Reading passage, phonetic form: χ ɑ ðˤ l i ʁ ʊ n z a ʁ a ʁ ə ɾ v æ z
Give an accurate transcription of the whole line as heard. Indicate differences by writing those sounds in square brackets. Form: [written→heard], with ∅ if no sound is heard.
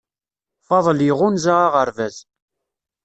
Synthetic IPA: [χ→f] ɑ ðˤ l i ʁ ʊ n z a ʁ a ʁ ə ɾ v æ z